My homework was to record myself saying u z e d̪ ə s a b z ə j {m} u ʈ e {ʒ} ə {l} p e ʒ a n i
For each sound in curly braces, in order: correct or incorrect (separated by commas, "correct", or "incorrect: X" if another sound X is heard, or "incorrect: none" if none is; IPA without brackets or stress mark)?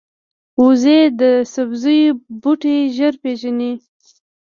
incorrect: b, correct, incorrect: ɾ